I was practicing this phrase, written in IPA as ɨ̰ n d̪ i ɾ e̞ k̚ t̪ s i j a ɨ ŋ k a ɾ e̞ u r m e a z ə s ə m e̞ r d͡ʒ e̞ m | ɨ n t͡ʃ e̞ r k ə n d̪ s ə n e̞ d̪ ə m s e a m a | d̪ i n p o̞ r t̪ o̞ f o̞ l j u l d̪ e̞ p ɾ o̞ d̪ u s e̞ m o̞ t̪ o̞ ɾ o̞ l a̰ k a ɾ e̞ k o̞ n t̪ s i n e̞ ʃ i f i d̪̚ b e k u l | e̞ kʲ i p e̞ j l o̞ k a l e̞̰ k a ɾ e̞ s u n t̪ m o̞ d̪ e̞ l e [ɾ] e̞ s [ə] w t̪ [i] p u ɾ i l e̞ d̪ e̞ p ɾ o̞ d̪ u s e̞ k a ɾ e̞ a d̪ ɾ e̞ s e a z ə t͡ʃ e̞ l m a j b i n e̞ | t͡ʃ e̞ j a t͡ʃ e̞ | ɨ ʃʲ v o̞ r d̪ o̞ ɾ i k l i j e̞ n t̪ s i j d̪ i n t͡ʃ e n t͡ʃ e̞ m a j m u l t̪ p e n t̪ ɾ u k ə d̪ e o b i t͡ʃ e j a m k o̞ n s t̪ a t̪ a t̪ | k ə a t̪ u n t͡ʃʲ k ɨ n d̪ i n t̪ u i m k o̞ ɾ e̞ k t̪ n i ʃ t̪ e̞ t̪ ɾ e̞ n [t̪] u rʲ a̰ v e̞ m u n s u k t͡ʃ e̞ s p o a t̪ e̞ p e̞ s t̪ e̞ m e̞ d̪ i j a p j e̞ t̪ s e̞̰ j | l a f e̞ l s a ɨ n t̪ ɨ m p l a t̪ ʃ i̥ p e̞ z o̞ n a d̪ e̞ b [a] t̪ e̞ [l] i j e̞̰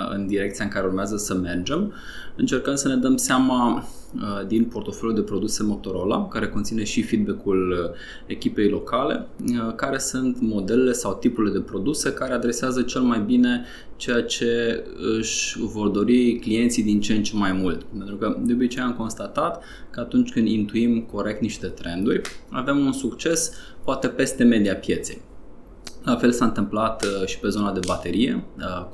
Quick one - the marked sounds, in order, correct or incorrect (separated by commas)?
incorrect, incorrect, correct, incorrect, correct, incorrect